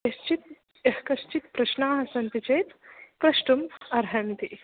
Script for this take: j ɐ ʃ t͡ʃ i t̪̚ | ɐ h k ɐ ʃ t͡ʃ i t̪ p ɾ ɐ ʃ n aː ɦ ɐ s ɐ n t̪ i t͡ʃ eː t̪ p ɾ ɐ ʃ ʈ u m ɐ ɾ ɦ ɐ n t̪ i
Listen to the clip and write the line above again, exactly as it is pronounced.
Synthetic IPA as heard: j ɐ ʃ t͡ʃ i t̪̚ | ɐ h k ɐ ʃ t͡ʃ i t̪ p ɾ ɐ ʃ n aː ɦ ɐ s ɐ n t̪ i t͡ʃ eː t̪ p ɾ ɐ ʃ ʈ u m ɐ ɾ ɦ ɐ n t̪ i